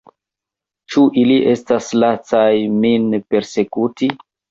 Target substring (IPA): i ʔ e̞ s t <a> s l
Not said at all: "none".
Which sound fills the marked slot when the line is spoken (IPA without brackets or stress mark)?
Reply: a